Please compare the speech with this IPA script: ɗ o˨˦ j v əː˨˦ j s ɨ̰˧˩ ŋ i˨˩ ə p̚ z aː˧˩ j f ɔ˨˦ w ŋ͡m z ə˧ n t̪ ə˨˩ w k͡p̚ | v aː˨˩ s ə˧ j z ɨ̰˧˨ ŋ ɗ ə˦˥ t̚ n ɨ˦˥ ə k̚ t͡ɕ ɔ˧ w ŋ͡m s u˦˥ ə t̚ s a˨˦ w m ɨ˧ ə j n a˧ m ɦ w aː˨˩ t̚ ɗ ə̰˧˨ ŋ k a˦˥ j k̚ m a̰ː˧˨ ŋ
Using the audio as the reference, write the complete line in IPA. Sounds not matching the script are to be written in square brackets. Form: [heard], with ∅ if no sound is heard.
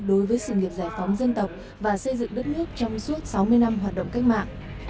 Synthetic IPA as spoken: ɗ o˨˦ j v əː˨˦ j s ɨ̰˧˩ ŋ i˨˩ ə p̚ z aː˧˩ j f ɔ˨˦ w ŋ͡m z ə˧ n t̪ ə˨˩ w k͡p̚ | v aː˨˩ s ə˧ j z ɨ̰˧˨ ŋ ɗ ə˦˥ t̚ n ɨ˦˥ ə k̚ t͡ɕ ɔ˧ w ŋ͡m s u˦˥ ə t̚ s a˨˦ w m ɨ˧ ə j n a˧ m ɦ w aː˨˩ t̚ ɗ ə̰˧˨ [ŋ͡m] k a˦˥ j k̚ m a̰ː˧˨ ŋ